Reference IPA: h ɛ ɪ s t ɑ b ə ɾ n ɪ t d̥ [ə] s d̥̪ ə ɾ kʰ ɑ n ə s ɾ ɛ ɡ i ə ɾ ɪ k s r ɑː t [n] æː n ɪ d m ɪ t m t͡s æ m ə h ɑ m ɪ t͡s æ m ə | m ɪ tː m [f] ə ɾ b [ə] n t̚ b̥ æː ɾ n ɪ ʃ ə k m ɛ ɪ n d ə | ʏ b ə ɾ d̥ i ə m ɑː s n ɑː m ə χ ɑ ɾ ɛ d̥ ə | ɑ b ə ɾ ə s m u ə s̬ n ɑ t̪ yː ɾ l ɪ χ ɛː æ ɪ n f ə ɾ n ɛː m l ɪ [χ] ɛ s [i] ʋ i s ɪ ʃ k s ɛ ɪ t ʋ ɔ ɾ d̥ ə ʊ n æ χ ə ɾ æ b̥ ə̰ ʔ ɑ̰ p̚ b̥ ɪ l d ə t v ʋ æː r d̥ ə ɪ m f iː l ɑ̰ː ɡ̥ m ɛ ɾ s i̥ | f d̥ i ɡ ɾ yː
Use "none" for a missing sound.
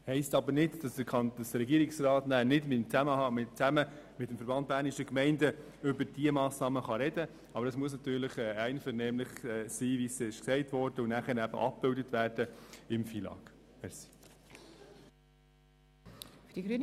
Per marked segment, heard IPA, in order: ɑ, n, f, ɑ, χ, iː

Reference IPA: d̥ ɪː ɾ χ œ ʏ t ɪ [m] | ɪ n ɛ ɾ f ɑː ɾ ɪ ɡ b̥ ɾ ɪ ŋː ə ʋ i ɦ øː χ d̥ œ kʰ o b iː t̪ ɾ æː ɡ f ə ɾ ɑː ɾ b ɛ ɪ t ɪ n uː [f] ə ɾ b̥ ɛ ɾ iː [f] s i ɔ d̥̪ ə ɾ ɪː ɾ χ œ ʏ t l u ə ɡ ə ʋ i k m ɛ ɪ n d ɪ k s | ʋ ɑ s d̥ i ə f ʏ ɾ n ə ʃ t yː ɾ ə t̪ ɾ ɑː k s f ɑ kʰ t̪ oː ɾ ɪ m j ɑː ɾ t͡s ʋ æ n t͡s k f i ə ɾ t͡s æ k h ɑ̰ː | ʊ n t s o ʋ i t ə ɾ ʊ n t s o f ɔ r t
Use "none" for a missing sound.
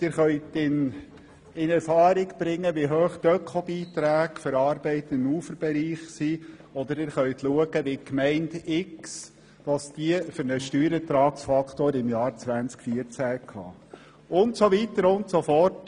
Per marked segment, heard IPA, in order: n, f, χ

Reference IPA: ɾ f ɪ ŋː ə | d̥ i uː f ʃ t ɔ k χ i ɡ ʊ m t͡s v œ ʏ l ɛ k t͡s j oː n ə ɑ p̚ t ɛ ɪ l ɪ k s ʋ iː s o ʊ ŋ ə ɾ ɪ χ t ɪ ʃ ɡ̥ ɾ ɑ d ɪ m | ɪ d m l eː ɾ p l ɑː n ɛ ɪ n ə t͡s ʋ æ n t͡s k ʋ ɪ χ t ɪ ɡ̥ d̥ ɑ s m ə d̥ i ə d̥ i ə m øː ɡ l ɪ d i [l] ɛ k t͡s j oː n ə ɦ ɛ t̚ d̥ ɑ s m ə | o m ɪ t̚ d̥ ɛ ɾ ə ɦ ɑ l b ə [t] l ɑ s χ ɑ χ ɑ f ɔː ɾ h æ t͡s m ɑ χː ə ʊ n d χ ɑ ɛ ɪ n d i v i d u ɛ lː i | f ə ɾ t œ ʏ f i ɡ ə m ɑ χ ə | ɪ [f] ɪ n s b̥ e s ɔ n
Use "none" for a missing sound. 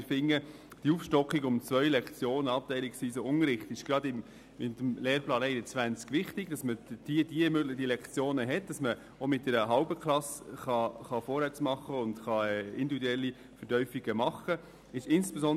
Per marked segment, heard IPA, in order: l, k, ʃ

